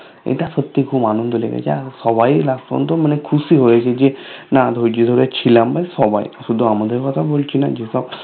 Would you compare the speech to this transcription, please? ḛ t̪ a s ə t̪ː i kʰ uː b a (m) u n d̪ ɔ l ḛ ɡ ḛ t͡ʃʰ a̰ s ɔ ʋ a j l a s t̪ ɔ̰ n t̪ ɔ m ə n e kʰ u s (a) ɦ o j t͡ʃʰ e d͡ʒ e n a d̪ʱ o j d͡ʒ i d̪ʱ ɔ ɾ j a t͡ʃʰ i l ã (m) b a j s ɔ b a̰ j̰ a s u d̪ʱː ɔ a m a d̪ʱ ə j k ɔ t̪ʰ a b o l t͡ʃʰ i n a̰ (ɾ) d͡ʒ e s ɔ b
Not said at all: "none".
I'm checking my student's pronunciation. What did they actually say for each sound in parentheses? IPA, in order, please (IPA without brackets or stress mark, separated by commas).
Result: n, i, m, none